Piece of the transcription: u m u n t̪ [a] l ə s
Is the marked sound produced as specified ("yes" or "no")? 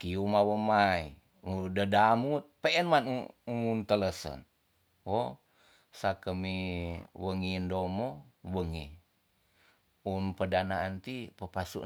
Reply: no